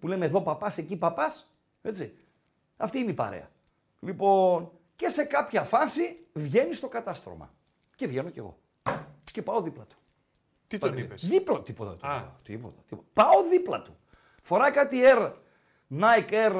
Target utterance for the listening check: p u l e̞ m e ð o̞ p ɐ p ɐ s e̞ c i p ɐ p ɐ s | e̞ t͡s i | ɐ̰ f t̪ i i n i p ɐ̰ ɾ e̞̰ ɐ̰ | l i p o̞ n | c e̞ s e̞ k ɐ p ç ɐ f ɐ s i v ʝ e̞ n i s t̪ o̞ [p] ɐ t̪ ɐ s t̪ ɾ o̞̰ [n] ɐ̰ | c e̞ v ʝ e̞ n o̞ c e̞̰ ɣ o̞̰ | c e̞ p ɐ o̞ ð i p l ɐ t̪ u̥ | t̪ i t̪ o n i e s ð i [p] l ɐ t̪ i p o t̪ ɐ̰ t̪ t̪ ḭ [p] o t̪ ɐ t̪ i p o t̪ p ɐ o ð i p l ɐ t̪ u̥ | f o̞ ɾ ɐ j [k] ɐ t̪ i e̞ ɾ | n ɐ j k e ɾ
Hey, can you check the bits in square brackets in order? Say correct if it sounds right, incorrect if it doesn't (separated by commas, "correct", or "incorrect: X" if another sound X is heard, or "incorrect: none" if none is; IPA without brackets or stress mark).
incorrect: k, incorrect: m, correct, correct, correct